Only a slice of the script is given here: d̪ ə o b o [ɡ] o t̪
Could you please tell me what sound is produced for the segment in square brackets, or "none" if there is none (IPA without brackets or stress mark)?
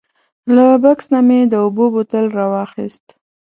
b